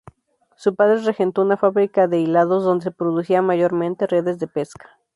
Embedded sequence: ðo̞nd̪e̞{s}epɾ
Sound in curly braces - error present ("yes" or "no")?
no